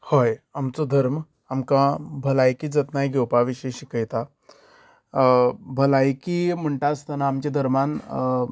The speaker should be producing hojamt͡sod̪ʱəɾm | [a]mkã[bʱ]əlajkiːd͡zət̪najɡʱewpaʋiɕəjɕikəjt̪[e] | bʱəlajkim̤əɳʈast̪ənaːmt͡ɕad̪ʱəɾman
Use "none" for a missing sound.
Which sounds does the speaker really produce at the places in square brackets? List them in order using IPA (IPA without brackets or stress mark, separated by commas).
a, bʱ, a